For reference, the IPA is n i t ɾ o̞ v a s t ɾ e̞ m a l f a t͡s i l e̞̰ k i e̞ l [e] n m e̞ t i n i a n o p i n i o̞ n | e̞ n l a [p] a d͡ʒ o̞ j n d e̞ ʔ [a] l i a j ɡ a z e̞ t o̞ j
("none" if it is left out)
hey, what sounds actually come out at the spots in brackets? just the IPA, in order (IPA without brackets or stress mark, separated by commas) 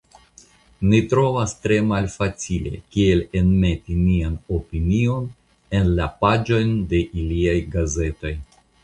e, p, i